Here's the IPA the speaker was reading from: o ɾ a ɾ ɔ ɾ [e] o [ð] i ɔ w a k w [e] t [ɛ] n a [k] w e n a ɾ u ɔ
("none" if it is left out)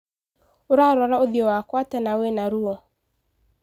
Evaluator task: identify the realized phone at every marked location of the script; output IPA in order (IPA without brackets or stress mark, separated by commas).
a, ð, a, ɛ, none